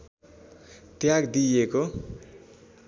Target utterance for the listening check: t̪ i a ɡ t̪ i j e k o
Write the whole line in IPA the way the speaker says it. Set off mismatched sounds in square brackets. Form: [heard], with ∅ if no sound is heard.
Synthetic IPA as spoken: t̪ [j] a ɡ [d̪] i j e k o